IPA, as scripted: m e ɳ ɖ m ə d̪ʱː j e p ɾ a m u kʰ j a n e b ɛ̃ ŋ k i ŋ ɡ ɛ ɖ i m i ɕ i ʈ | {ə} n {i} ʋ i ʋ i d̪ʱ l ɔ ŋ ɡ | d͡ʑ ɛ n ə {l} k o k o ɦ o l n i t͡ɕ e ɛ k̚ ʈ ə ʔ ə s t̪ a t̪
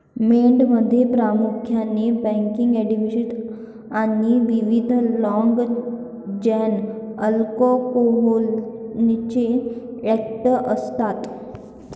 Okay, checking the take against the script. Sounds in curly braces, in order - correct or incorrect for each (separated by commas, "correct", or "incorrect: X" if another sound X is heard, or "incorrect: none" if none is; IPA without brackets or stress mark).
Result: incorrect: a, correct, correct